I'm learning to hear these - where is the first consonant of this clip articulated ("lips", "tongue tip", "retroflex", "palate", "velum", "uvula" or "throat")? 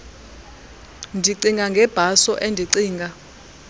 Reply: tongue tip